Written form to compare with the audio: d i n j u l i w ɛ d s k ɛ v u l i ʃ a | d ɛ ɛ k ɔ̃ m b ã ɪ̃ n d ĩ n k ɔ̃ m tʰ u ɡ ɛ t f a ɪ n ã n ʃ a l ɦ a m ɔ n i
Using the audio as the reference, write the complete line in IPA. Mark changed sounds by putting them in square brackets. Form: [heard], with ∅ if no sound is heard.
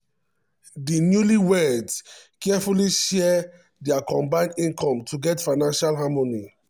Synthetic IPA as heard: d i n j u l i w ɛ d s k ɛ [f] u l i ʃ [ɛ] | d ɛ [a] k ɔ̃ m b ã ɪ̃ n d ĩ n k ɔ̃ m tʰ u ɡ ɛ t f a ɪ n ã n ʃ a l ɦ a m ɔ n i